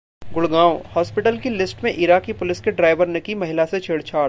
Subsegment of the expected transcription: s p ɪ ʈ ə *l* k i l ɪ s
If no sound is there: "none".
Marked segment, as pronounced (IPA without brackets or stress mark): l